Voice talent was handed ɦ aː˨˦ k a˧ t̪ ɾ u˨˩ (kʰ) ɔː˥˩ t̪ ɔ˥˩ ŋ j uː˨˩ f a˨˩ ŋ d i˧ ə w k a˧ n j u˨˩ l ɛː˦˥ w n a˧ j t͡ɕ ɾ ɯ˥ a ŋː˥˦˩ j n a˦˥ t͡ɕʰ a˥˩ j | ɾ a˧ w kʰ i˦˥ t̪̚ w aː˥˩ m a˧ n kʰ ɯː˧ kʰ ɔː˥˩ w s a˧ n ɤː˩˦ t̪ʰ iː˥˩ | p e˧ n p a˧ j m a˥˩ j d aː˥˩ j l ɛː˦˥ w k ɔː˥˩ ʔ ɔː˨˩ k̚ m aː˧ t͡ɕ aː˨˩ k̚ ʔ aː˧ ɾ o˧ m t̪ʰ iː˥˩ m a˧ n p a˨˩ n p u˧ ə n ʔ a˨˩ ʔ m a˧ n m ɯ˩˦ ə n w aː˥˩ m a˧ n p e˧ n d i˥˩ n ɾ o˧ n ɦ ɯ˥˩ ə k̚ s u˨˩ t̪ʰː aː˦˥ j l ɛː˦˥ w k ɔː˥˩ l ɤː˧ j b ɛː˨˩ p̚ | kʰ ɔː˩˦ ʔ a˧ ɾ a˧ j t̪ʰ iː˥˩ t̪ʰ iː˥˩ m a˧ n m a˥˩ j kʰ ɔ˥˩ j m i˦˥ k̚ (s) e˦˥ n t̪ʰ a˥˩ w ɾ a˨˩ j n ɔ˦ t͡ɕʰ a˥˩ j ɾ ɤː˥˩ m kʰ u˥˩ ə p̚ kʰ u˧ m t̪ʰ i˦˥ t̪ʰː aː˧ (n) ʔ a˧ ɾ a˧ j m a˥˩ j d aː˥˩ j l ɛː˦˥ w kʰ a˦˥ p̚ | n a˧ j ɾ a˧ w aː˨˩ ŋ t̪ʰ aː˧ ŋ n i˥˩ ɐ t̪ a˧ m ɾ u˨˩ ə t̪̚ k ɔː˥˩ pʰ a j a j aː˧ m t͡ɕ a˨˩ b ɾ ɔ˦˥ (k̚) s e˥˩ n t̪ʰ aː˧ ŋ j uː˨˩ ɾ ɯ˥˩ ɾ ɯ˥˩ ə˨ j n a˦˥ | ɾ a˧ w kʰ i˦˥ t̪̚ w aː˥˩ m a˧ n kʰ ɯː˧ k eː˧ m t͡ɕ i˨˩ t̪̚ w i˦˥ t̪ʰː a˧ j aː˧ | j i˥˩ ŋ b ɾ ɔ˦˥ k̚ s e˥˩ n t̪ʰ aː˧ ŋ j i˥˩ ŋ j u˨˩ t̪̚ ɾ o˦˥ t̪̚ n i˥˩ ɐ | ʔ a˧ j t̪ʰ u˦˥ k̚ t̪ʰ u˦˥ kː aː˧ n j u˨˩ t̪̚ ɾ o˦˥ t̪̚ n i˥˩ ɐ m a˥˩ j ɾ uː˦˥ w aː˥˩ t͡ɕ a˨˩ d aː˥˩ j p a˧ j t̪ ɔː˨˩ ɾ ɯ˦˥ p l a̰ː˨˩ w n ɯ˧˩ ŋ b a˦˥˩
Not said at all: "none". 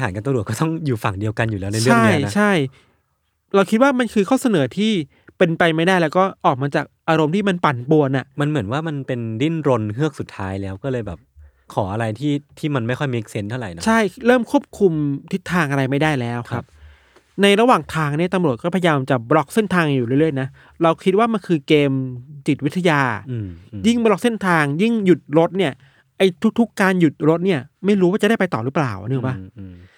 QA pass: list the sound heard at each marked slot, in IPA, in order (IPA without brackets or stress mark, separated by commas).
k, s, ŋ, k̚